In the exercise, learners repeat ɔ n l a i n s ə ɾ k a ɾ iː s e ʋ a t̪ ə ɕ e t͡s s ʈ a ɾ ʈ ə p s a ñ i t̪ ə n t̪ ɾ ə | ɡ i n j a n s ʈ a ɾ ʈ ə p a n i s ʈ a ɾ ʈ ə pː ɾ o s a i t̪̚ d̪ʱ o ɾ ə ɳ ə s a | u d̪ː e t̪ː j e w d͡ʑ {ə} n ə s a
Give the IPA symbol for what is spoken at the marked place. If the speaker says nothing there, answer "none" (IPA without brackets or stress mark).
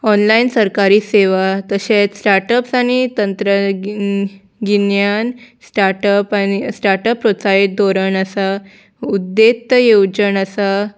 ə